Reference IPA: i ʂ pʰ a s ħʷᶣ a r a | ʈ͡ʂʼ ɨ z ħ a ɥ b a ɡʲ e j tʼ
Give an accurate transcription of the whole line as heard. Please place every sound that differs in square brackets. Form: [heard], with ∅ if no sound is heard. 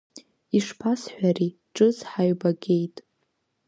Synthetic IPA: i ʂ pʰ a s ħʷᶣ a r [i] | ʈ͡ʂʼ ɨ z ħ a ɥ b a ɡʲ e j tʼ